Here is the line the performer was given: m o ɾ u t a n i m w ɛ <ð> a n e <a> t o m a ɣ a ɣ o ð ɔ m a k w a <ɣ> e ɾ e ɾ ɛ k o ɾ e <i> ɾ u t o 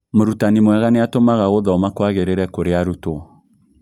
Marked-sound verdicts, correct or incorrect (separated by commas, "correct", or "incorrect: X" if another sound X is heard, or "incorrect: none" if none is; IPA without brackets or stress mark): incorrect: ɣ, correct, correct, incorrect: a